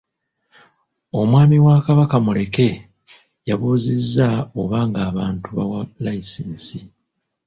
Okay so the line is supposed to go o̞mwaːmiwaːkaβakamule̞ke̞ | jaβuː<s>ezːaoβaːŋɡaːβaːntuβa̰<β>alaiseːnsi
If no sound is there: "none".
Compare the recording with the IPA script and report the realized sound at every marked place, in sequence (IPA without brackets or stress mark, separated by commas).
z, w